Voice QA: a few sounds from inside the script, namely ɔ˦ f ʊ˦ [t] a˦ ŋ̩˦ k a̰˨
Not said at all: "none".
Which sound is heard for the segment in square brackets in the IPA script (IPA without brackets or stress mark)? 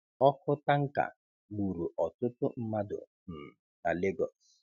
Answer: t